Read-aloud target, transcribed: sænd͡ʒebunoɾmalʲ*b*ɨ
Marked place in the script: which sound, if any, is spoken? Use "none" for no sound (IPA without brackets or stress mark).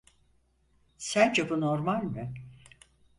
m